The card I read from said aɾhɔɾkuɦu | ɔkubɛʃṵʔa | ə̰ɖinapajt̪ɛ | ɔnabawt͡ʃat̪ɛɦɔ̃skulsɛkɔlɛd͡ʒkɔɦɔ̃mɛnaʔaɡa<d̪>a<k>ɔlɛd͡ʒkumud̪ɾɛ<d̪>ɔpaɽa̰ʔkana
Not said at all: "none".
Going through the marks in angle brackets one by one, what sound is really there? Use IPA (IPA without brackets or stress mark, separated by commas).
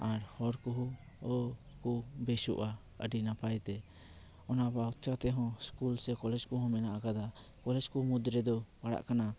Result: d̪, k, d̪